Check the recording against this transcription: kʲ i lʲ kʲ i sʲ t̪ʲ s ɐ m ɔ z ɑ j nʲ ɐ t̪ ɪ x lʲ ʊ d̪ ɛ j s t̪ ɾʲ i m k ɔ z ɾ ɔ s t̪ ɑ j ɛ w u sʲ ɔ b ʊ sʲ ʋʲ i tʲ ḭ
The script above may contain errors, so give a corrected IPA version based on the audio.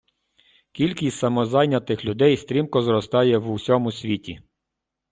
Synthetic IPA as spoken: kʲ i lʲ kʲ i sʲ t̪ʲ s ɐ m ɔ z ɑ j nʲ ɐ t̪ ɪ x lʲ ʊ d̪ ɛ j s t̪ ɾʲ i m k ɔ z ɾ ɔ s t̪ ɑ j ɛ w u sʲ ɔ m ʊ sʲ ʋʲ i tʲ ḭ